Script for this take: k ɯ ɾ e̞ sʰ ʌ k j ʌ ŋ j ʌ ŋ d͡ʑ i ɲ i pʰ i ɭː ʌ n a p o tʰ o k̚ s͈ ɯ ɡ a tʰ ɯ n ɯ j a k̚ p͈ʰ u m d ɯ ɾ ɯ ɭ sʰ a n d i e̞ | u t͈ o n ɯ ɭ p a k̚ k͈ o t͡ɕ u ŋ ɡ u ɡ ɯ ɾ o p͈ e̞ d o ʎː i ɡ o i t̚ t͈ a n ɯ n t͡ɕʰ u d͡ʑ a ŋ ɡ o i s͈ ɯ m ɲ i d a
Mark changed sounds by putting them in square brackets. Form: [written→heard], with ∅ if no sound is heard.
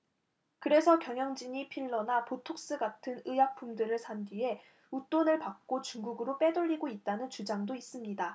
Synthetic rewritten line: k ɯ ɾ e̞ sʰ ʌ k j ʌ ŋ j ʌ ŋ d͡ʑ i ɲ i pʰ i ɭː ʌ n a p o tʰ o k̚ s͈ ɯ ɡ a tʰ ɯ n ɯ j a k̚ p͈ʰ u m d ɯ ɾ ɯ ɭ sʰ a n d i e̞ | u t͈ o n ɯ ɭ p a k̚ k͈ o t͡ɕ u ŋ ɡ u ɡ ɯ ɾ o p͈ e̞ d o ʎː i ɡ o i t̚ t͈ a n ɯ n [t͡ɕʰ→t͡ɕ] u d͡ʑ a ŋ [ɡ→d] o i s͈ ɯ m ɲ i d a